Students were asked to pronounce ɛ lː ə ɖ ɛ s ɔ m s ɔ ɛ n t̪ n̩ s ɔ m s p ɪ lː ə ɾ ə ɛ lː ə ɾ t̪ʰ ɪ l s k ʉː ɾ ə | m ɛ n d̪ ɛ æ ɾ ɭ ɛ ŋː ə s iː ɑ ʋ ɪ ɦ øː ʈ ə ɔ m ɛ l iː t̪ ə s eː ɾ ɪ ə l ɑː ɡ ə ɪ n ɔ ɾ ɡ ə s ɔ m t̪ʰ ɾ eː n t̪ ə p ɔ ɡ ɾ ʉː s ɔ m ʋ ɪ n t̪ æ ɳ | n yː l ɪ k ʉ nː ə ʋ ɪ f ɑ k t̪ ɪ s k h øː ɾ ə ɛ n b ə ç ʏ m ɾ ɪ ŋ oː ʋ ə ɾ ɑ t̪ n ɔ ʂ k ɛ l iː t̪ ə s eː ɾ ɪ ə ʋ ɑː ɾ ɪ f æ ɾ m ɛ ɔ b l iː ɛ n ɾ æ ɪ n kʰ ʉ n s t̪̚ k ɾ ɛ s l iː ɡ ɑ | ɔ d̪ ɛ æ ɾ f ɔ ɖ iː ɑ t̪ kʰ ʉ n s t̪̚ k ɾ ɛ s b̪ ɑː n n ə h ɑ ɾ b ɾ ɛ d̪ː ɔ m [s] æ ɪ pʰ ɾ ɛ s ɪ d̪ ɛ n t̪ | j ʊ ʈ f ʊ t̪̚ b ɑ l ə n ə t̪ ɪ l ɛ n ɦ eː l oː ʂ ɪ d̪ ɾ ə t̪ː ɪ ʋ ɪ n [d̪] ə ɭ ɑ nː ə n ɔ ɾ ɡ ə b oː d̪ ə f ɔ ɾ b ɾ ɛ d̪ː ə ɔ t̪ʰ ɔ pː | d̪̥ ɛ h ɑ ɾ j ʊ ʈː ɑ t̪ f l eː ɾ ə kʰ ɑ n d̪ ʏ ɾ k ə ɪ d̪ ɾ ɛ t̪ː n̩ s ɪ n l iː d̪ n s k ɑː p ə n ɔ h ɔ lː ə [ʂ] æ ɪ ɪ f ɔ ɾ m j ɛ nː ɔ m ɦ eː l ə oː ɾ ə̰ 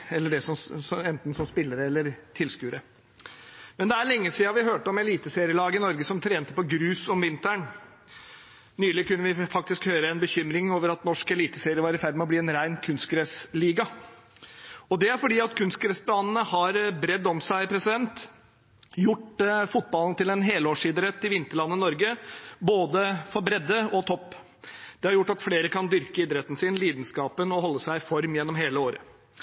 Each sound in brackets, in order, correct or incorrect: correct, incorrect: t̪, incorrect: s

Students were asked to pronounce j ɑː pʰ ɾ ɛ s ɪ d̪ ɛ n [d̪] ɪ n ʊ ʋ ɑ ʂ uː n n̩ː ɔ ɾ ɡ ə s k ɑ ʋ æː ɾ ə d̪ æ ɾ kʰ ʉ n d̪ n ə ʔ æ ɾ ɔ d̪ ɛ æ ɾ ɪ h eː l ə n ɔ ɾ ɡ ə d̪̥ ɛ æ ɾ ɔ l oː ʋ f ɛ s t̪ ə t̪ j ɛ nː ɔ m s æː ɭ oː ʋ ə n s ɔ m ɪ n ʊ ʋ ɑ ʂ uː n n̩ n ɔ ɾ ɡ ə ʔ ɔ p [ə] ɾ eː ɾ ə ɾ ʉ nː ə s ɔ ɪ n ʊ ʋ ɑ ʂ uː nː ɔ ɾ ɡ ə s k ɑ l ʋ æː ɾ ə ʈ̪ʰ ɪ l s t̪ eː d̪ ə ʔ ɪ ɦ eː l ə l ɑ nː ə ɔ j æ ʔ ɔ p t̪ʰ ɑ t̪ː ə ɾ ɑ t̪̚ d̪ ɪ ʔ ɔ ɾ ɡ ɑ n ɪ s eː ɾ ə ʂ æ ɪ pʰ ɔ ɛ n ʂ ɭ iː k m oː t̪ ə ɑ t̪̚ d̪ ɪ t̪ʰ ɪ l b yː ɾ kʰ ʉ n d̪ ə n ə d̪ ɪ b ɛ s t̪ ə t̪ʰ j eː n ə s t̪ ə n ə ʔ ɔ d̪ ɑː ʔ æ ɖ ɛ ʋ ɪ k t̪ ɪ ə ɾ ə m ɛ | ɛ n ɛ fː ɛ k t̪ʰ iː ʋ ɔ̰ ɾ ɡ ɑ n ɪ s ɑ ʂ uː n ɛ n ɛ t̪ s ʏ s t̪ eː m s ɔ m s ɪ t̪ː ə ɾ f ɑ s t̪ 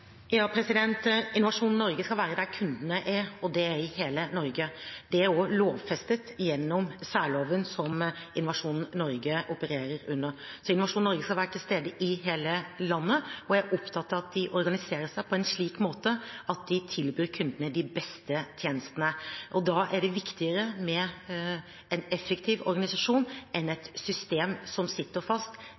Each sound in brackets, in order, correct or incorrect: incorrect: t̪, correct

